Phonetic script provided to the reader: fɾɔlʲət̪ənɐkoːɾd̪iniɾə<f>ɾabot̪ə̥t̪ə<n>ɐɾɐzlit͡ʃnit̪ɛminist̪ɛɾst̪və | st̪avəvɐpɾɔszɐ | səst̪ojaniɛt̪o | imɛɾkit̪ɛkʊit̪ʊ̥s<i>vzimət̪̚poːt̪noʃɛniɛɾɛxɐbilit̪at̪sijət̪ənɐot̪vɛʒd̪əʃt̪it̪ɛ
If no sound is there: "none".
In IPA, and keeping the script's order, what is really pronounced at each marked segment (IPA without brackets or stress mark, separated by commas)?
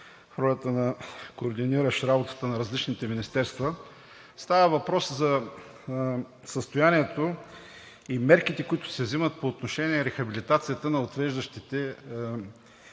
ʃ, n, ɛ